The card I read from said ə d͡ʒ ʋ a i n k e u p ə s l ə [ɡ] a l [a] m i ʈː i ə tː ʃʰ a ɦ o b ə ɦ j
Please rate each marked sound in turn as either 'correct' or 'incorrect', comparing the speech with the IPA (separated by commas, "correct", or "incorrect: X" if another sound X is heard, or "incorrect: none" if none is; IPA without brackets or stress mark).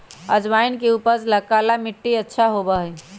incorrect: k, correct